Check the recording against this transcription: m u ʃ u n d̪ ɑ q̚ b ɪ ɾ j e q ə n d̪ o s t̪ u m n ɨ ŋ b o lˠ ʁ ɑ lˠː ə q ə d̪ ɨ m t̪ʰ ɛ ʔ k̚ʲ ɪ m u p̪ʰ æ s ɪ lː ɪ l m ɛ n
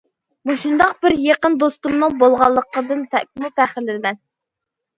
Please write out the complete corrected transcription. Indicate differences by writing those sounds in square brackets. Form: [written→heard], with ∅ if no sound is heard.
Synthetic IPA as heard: m u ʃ u n d̪ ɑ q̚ b ɪ ɾ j e q ə n d̪ o s t̪ u m n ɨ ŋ b o lˠ ʁ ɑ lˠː ə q ə d̪ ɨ [m→n] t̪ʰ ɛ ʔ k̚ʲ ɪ m u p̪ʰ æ [s→χ] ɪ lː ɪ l m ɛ n